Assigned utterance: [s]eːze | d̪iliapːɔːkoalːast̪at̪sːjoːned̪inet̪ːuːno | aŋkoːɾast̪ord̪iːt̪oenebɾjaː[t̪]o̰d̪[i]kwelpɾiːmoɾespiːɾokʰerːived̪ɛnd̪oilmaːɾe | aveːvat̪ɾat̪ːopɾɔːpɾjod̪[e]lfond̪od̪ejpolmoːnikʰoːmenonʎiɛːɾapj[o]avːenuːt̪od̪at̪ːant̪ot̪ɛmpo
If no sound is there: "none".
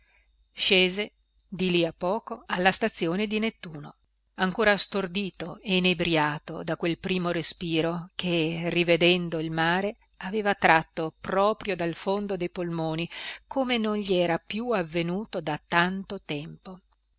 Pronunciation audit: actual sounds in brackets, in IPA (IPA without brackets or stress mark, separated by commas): ʃ, t̪, a, a, u